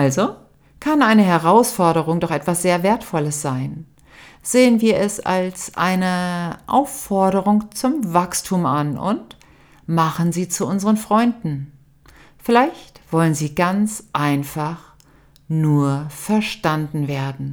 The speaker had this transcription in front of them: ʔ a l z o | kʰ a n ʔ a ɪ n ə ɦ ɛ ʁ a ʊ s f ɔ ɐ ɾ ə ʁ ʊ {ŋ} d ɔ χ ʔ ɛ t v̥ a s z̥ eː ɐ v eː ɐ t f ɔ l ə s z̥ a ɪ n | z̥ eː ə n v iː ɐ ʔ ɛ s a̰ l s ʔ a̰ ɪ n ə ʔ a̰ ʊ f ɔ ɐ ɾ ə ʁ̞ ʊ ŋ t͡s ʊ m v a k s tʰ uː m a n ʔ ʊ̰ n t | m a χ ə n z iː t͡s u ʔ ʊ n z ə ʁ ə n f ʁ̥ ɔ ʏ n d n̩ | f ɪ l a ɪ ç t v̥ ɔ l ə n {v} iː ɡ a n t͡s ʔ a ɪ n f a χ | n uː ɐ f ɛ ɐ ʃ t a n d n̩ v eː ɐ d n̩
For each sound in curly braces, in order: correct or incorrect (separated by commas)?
correct, incorrect